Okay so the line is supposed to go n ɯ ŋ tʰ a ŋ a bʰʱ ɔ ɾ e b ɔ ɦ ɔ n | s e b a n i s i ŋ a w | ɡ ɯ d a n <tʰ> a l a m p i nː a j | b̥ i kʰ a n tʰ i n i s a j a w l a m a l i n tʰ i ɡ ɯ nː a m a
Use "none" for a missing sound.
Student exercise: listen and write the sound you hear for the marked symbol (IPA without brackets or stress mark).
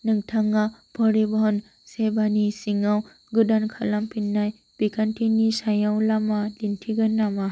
kʰ